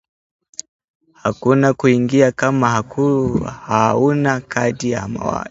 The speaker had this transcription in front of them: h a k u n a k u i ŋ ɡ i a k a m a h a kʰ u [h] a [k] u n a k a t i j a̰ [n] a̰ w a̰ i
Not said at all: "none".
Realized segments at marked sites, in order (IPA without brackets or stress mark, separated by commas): h, none, m